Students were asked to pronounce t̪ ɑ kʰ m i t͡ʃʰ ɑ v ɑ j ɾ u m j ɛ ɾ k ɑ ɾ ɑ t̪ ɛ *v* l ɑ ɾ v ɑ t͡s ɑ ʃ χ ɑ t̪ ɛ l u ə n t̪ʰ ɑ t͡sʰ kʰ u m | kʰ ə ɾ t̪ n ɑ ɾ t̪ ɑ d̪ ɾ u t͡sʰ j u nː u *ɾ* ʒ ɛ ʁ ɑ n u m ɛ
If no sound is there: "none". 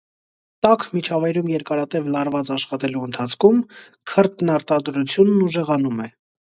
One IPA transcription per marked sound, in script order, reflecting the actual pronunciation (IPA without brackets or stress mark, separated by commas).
v, none